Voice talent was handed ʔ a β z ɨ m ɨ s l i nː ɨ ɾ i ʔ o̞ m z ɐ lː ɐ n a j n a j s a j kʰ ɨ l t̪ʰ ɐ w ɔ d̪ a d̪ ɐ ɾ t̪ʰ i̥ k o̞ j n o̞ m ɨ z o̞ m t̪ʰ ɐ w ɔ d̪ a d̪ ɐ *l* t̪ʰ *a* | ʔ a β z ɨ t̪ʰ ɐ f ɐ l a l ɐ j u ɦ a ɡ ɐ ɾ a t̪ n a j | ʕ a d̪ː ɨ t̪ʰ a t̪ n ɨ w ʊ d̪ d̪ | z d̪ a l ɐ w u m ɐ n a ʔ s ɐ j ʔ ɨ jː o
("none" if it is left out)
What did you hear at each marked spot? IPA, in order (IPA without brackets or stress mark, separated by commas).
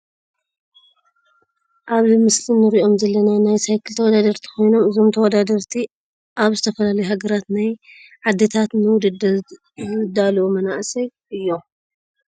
ɾ, i